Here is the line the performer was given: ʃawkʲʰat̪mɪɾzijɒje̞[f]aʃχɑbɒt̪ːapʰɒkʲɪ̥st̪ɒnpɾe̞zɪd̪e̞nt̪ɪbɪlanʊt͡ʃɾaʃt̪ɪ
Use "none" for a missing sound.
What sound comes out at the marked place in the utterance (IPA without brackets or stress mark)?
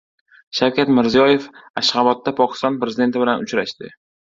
f